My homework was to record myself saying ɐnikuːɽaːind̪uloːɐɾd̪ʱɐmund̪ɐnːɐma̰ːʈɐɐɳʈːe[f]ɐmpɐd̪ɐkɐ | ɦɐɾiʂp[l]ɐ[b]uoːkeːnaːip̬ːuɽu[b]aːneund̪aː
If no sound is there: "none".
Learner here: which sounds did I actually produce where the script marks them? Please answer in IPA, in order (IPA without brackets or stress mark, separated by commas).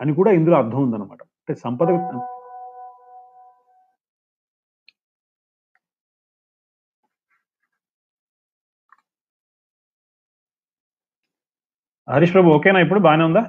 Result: s, ɾ, b, b